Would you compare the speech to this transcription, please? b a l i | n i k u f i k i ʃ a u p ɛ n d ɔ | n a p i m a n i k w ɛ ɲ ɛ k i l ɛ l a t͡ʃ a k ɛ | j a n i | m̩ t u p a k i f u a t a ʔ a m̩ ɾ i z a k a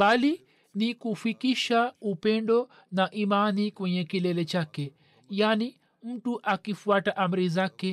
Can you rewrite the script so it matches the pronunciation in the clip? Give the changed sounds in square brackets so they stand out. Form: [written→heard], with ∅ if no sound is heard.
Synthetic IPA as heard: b a l i | n i k u f i k i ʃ a u p ɛ n d ɔ | n a [p→ʔ] i m a n i k w ɛ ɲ ɛ k i l ɛ l [a→ɛ] t͡ʃ a k ɛ | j a n i | m̩ t u [p→ʔ] a k i f u a t a ʔ a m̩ ɾ i z a k [a→ɛ]